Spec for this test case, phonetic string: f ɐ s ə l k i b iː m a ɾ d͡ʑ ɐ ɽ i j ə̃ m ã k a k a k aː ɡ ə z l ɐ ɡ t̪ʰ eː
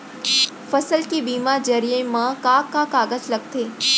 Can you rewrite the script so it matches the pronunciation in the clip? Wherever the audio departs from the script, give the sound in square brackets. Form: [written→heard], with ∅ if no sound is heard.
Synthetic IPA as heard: f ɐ s ə l k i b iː m a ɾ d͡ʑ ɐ [ɽ→ɾ] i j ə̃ m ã k a k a k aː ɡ ə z l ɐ ɡ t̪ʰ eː